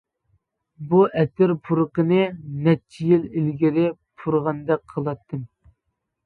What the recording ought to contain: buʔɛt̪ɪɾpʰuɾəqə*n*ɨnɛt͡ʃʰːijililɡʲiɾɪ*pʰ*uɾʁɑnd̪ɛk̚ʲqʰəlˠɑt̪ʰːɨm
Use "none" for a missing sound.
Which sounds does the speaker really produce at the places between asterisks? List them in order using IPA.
n, pʰ

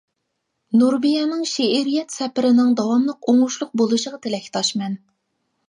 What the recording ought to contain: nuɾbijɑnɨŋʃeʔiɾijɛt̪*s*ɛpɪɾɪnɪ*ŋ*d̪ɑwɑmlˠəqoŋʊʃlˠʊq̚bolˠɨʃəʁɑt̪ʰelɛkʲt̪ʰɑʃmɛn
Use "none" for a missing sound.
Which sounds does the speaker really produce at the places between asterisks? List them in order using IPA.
s, ŋ

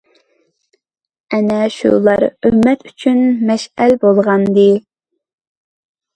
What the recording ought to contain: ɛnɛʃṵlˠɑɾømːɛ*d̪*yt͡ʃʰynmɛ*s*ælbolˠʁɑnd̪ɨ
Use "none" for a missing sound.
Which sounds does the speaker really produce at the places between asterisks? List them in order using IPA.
t̪, ʃ

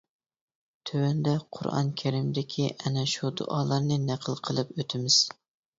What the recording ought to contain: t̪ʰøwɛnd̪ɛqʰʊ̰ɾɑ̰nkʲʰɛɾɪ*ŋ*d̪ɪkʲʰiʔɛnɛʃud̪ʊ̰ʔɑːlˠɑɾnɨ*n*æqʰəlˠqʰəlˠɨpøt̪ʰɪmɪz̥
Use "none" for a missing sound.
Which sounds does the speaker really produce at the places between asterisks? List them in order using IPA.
m, n

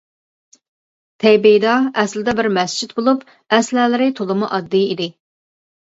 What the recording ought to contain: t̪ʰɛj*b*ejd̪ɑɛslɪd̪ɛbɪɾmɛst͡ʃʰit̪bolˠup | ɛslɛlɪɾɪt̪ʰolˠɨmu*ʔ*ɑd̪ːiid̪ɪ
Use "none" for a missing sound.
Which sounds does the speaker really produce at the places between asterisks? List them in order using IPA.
b, ʔ

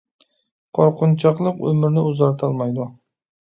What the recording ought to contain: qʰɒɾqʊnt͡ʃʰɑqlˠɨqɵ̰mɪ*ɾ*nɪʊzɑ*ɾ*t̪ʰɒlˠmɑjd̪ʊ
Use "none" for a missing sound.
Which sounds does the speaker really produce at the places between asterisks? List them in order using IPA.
ɾ, ɾ

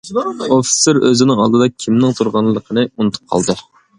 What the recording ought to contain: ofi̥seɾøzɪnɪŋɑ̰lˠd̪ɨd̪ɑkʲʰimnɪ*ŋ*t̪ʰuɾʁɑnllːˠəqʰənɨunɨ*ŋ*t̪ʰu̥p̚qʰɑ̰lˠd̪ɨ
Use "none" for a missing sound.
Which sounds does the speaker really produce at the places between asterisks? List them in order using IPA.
ŋ, none

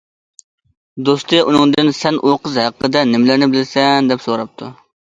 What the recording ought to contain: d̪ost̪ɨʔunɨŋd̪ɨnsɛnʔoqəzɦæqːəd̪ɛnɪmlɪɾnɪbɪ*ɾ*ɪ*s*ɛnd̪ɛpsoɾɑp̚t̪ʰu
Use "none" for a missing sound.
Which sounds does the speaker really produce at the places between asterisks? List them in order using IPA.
l, s

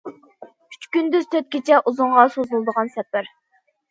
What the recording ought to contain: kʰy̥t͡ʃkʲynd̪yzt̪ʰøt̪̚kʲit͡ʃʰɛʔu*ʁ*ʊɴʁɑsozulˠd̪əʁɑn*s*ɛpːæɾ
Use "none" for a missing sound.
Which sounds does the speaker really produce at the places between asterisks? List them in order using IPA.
z, s

